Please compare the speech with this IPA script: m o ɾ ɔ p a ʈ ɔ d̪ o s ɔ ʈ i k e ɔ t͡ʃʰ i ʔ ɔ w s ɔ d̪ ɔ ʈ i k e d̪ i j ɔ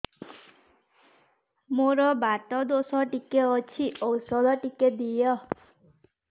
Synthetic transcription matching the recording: m o ɾ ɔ b a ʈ ɔ d̪ o s ɔ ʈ i k e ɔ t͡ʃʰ i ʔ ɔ w s ɔ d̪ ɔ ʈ i k e d̪ i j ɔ